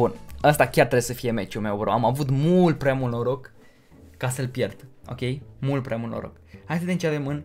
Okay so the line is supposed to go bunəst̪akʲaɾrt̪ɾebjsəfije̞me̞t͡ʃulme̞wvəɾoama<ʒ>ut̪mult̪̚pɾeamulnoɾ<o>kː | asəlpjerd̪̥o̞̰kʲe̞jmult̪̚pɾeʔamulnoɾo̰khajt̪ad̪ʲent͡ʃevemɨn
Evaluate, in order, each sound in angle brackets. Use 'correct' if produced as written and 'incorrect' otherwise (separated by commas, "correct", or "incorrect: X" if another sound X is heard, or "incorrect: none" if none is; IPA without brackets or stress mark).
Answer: incorrect: v, correct